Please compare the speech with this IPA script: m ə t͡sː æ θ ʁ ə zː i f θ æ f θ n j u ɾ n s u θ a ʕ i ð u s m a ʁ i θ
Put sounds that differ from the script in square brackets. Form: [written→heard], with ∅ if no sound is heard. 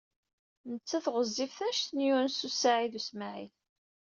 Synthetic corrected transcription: [m→n] ə t͡sː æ θ ʁ ə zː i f θ æ [f→ʃ] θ n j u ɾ n s u [θ→s] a ʕ i ð u s m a [ʁ→ʕ] i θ